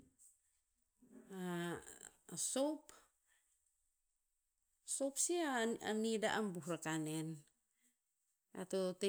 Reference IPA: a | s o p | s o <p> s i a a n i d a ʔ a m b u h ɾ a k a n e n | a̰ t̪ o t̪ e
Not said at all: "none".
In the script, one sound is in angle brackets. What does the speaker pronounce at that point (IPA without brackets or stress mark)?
p